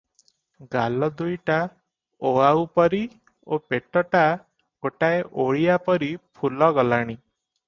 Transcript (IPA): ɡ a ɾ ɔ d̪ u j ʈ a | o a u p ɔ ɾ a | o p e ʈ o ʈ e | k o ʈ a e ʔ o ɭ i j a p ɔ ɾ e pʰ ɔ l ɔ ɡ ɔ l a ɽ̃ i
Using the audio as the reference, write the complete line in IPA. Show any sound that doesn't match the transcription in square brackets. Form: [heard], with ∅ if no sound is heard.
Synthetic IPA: ɡ a [l] ɔ d̪ u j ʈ a | o a u p ɔ ɾ [i] | o p e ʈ [ɔ] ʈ [a] | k o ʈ a e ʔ o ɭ i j a p ɔ ɾ [i] pʰ [u] l ɔ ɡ ɔ l a ɽ̃ i